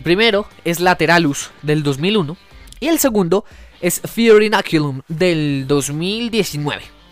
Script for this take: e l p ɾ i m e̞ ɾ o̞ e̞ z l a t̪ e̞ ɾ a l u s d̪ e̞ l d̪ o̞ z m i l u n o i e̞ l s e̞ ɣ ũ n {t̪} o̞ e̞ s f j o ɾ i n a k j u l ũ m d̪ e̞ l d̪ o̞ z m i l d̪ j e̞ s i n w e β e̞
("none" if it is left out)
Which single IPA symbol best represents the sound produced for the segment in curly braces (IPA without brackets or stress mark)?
d̪